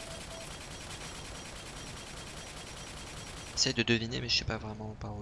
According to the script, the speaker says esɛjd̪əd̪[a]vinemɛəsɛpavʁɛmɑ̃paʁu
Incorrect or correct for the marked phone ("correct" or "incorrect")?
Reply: incorrect